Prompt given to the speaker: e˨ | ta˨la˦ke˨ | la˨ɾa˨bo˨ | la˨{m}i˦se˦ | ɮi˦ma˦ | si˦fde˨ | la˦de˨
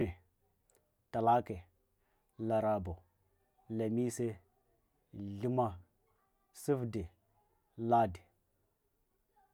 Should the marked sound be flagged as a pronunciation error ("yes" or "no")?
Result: no